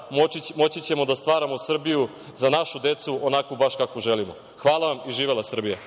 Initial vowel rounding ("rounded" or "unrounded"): rounded